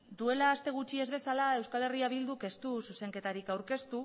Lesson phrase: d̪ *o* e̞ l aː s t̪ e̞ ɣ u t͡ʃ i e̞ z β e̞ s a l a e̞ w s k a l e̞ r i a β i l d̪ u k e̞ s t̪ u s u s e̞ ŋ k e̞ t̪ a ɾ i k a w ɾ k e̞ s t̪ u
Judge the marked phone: incorrect: u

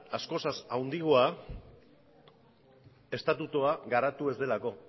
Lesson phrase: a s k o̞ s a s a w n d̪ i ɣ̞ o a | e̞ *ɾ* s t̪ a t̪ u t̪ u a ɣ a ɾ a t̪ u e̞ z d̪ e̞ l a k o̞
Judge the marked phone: incorrect: none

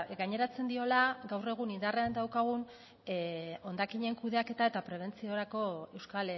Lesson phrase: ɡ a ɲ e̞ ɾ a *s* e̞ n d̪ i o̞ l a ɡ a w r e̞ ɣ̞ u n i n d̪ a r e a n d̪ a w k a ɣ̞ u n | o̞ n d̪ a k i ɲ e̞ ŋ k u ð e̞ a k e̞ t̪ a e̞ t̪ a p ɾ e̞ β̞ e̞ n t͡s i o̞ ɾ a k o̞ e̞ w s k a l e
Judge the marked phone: incorrect: t͡s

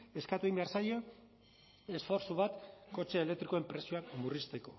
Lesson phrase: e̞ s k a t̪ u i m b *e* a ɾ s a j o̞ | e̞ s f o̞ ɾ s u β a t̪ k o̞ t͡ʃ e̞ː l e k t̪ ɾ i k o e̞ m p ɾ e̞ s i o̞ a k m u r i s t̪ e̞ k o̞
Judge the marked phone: correct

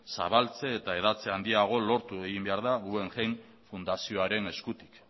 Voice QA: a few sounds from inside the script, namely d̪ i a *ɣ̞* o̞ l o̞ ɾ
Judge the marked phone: correct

